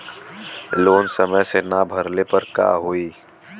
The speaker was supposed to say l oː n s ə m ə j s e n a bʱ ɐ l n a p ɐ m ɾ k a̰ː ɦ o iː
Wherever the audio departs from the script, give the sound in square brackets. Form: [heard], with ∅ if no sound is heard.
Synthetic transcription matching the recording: l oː n s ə m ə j s e n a bʱ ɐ [ɾ] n [e] p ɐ [∅] ɾ k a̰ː ɦ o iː